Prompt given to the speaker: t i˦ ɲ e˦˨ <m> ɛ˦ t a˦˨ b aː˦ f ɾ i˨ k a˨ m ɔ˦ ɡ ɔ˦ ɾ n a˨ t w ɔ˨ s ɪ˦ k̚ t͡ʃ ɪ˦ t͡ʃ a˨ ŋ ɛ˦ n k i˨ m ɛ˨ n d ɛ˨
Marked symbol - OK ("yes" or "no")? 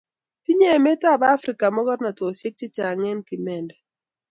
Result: yes